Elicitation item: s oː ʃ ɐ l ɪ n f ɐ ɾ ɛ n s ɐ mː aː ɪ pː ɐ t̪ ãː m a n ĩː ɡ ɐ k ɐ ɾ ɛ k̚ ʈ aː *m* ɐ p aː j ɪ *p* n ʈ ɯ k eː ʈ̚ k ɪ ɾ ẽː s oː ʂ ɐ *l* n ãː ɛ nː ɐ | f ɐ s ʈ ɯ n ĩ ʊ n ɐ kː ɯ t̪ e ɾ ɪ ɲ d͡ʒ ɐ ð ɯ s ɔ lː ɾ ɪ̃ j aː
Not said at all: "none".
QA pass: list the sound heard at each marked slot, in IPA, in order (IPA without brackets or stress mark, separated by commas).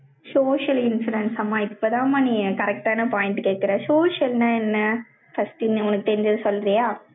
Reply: n, none, l